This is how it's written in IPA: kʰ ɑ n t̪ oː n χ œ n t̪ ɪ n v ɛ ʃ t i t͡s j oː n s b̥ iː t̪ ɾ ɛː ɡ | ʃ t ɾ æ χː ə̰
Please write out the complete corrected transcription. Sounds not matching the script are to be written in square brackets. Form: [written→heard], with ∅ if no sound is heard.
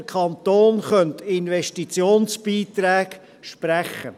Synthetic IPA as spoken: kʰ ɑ n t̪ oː n χ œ n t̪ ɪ n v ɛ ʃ t i t͡s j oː n s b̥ iː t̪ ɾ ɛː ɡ | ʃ [t→p] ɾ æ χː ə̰